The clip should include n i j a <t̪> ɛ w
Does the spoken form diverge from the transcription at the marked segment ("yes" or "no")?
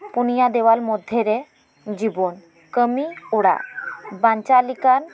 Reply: yes